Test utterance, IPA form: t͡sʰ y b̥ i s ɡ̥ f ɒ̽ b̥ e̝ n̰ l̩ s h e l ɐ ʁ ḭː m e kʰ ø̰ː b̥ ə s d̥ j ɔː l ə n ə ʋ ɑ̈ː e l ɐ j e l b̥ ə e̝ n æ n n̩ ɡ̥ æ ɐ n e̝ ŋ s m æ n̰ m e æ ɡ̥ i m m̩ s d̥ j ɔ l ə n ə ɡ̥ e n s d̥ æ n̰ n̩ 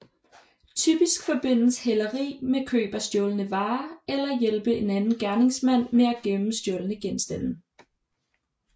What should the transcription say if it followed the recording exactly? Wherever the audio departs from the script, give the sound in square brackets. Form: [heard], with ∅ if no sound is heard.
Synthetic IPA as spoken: t͡sʰ y b̥ i s ɡ̥ f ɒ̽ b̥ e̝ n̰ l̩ s h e l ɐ ʁ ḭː m e kʰ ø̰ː b̥ [ɐ] s d̥ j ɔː l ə n ə ʋ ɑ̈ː e l ɐ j e l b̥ ə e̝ n æ n n̩ ɡ̥ æ ɐ n e̝ ŋ s m æ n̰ m e æ ɡ̥ [e] m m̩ s d̥ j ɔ l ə n ə ɡ̥ e n s d̥ æ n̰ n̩